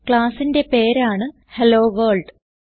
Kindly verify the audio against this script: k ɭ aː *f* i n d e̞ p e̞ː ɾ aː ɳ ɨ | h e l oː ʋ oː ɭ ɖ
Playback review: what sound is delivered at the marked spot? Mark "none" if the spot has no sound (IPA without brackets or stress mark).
s